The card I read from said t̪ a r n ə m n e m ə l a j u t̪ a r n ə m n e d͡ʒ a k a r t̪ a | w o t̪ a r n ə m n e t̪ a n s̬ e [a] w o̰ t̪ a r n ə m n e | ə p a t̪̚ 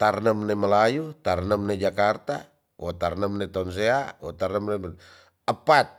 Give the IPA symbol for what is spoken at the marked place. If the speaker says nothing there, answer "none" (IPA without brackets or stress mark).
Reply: a